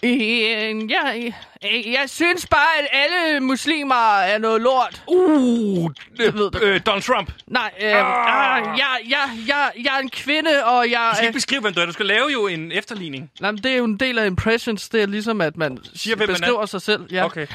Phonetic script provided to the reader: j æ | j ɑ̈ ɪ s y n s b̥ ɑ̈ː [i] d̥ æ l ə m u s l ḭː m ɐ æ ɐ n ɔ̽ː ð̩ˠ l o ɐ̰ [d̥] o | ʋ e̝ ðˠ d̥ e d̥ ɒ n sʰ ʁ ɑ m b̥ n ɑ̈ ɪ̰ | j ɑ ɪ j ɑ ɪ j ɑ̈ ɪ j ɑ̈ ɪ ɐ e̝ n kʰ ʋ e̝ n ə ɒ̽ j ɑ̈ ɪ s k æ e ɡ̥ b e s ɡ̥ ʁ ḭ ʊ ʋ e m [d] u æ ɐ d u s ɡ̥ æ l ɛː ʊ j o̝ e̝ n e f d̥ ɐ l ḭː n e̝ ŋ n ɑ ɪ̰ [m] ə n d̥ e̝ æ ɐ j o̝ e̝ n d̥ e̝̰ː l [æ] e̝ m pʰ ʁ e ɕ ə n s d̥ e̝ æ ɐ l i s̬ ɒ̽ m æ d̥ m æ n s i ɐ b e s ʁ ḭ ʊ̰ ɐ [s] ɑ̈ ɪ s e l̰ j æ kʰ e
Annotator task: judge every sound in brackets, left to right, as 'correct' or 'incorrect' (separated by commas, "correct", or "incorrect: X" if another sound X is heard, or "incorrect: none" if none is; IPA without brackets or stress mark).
incorrect: æ, correct, correct, correct, correct, correct